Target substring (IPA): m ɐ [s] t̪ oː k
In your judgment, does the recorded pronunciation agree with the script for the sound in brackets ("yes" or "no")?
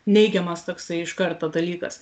yes